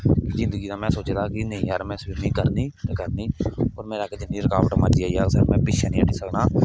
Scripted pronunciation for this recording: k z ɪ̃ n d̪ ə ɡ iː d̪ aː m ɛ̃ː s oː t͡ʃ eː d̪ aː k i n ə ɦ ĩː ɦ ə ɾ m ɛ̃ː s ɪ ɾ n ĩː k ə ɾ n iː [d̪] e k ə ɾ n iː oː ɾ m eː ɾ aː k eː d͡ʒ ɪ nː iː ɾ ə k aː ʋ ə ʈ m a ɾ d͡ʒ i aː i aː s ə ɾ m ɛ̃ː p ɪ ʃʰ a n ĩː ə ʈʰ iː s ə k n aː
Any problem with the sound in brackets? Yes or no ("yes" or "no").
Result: yes